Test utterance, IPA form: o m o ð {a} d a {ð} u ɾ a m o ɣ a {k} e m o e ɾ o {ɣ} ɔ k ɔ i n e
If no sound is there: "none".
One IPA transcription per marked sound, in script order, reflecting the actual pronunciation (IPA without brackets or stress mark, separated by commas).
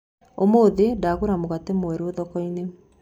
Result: e, ɣ, t, ð